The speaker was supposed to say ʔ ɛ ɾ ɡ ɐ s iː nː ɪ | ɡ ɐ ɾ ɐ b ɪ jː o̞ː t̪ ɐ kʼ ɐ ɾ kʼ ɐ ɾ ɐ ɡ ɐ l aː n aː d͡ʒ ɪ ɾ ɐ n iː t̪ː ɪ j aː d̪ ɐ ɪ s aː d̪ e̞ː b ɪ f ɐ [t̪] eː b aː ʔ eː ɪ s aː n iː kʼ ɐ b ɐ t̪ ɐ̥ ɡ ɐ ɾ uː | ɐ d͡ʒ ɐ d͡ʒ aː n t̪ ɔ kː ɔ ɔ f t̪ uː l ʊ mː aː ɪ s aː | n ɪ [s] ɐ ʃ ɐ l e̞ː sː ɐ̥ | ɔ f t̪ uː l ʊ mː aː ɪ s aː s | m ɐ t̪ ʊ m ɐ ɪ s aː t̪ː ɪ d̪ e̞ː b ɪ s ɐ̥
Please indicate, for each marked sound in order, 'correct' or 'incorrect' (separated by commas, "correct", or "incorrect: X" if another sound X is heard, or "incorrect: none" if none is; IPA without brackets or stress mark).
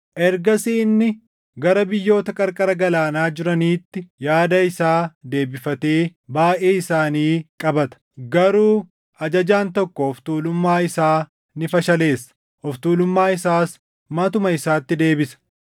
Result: correct, incorrect: f